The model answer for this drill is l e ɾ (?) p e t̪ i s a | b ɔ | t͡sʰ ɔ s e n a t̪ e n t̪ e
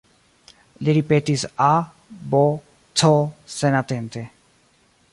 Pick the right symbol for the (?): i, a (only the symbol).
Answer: i